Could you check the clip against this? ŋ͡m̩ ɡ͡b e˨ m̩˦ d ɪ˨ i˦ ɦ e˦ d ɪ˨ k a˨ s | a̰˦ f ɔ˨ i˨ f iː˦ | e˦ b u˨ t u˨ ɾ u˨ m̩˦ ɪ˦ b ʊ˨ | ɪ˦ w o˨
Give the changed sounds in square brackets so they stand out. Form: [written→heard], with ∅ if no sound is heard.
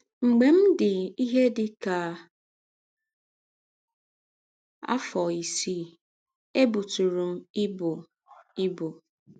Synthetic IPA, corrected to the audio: ŋ͡m̩ ɡ͡b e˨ m̩˦ d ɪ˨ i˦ ɦ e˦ d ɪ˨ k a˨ [s→∅] | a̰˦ f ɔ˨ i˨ [f→s] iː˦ | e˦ b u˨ t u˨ ɾ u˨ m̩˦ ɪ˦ b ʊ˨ | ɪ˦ [w→b] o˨